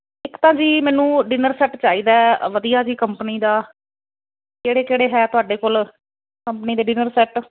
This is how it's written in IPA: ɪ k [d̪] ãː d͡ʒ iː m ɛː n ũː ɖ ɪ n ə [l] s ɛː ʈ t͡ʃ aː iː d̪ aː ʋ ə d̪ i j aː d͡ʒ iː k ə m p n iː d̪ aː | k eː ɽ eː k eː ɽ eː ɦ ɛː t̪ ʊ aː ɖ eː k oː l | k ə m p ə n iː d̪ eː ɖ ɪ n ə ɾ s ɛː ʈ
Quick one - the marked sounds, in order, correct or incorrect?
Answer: incorrect, incorrect

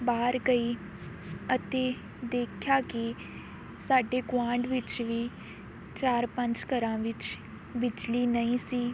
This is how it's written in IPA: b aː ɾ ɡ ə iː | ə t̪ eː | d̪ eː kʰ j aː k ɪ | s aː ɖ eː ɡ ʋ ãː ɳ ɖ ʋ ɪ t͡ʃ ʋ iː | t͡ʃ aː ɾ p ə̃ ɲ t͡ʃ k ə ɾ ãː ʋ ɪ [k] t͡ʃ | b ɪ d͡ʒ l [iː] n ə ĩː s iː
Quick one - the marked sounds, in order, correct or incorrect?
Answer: incorrect, correct

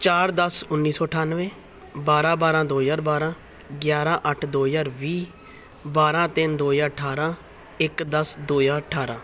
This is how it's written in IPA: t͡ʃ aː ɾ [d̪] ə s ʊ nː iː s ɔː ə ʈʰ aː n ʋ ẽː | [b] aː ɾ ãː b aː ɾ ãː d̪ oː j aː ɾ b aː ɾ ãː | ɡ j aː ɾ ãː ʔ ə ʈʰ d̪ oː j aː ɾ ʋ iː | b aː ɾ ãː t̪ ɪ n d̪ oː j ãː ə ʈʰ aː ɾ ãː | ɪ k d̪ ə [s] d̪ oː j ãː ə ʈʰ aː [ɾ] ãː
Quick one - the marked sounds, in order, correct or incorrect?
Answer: correct, correct, correct, correct

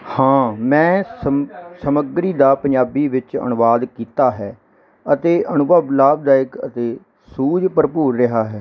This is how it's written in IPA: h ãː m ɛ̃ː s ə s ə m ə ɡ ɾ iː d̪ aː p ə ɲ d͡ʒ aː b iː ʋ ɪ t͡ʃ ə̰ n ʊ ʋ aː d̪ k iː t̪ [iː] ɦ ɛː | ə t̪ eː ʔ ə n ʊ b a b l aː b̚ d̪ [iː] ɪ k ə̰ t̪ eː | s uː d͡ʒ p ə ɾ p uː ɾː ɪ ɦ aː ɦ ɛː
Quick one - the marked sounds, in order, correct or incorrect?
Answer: incorrect, incorrect

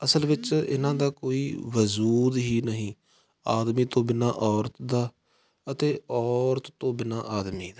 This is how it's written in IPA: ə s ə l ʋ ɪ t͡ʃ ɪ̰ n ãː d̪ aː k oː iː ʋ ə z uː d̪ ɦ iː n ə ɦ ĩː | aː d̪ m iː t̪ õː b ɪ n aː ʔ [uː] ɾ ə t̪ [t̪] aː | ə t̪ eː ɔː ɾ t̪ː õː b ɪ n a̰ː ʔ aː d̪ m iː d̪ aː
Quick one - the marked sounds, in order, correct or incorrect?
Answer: incorrect, incorrect

